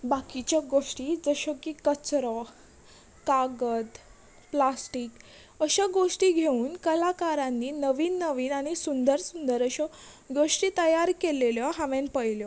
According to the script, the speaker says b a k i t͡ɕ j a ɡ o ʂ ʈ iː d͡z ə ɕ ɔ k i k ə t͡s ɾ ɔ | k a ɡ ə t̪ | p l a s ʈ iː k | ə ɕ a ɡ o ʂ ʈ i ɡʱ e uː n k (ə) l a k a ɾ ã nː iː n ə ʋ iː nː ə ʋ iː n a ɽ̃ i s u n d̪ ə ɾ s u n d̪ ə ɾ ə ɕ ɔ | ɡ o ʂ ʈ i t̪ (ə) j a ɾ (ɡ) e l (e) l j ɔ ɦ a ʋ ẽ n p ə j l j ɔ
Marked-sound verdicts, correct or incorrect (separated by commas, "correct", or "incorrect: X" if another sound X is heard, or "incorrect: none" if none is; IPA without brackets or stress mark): correct, correct, incorrect: k, correct